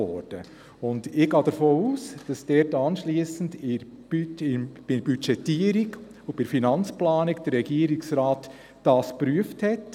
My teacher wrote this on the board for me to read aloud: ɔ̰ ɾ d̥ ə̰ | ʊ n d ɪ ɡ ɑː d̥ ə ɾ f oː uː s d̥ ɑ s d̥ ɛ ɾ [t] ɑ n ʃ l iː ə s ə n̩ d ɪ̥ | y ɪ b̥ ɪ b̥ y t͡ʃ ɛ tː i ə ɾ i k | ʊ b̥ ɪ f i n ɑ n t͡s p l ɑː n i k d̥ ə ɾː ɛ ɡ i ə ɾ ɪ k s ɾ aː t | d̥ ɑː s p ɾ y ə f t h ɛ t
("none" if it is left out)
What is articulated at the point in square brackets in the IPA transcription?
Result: t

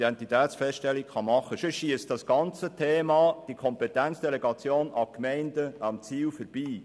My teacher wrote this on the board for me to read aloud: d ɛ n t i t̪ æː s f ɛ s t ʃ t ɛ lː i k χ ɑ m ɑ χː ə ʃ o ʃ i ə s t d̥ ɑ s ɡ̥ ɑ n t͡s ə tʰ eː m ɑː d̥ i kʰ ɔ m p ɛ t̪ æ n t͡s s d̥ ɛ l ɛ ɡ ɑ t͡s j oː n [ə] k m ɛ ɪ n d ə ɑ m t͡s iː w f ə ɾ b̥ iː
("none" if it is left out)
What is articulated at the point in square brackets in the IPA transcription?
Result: ɑ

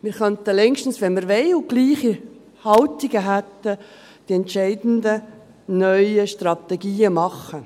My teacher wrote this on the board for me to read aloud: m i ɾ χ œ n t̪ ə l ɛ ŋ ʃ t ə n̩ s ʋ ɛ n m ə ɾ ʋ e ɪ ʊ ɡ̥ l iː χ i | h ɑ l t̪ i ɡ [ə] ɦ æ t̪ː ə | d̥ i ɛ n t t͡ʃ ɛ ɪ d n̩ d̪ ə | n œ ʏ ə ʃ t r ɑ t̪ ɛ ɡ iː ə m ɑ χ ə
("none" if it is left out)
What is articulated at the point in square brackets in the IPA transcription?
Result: ə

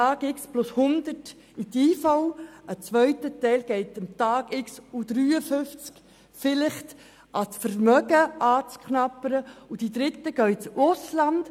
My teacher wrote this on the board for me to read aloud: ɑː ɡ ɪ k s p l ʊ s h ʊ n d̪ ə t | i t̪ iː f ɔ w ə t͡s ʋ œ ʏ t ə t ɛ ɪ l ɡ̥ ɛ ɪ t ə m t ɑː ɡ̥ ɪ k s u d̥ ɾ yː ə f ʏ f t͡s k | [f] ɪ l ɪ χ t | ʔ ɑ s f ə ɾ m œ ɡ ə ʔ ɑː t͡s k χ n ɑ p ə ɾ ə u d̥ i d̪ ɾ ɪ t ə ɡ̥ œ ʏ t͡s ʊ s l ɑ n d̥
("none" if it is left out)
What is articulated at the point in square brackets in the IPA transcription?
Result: f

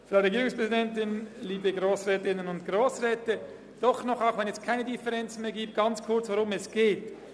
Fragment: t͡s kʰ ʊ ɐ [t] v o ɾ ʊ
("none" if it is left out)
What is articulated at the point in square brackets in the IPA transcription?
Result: t͡s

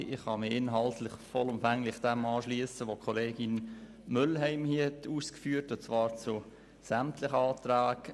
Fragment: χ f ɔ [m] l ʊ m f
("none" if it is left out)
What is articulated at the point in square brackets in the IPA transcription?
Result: none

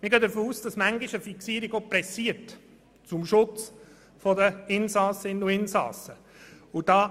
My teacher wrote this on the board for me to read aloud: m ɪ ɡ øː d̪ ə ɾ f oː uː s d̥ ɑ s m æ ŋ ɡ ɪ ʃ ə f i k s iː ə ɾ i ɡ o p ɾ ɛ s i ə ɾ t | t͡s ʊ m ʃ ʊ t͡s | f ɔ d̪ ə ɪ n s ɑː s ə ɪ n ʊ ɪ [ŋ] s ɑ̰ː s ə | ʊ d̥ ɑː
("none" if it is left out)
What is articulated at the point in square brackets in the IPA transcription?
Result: n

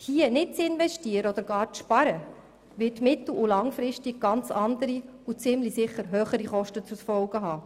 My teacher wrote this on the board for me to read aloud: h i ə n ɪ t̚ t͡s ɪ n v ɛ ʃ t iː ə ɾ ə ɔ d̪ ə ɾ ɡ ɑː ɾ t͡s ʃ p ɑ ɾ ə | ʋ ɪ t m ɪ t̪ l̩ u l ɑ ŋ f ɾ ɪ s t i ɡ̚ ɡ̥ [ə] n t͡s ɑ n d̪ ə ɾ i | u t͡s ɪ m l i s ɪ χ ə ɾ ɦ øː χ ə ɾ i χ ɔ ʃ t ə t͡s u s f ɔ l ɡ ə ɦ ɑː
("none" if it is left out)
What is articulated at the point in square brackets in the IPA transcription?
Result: ɑ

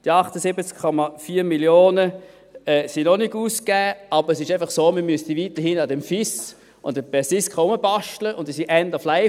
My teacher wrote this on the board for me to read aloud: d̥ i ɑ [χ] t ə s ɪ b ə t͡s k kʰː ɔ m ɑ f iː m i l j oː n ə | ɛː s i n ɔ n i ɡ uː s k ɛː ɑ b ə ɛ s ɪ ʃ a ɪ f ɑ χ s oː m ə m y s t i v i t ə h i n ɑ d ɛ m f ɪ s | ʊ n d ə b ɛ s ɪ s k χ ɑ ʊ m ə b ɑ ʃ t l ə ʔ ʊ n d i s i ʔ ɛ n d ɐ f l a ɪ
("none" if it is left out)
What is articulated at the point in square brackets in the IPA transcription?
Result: χ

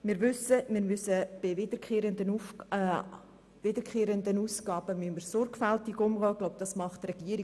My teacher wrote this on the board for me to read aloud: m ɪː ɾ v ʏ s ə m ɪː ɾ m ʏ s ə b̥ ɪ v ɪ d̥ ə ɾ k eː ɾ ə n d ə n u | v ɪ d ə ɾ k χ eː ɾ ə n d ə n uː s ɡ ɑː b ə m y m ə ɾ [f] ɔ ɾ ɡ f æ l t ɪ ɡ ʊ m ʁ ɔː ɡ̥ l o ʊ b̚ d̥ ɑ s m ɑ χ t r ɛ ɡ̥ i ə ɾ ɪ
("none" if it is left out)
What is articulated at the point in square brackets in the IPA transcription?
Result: s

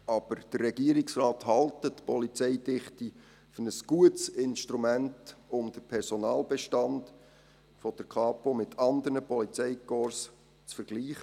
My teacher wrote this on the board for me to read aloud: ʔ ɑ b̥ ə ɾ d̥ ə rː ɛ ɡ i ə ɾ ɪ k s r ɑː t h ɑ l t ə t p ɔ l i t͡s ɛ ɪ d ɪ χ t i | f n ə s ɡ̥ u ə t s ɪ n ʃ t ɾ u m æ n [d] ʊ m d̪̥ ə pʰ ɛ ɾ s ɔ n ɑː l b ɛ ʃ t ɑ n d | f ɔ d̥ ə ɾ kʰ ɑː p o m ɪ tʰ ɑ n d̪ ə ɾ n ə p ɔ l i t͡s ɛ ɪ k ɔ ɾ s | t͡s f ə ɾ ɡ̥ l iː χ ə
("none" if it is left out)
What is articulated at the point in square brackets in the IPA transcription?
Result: t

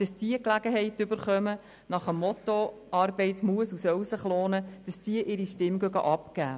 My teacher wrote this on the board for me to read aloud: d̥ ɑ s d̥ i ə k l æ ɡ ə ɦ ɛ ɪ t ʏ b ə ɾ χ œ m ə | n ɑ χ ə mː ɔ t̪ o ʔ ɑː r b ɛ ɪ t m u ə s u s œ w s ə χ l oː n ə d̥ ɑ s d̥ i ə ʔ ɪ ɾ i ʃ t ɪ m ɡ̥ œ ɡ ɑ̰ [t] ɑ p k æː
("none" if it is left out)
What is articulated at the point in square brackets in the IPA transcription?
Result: ʔ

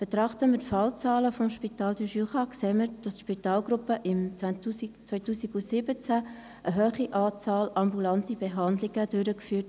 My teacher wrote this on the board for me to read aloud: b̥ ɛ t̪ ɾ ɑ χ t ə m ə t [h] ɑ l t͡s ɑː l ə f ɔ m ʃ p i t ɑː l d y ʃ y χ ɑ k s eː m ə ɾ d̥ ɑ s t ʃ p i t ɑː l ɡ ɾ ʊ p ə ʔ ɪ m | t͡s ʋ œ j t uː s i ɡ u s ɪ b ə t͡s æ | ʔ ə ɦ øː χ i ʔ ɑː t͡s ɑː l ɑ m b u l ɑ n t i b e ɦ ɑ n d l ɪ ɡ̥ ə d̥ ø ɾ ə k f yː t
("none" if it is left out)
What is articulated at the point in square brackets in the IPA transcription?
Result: f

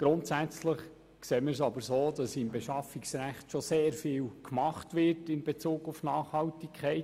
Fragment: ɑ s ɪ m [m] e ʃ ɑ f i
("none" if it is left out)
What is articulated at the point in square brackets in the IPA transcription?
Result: b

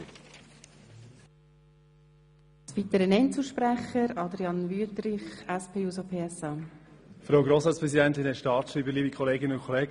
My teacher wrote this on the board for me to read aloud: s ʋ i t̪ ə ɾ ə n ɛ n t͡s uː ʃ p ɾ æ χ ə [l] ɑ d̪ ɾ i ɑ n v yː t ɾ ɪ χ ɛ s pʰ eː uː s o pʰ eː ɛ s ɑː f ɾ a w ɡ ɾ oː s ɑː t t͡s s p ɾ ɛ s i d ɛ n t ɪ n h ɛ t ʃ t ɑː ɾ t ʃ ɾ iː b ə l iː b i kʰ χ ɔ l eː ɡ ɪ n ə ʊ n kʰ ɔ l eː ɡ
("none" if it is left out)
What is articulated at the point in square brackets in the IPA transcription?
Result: ɾ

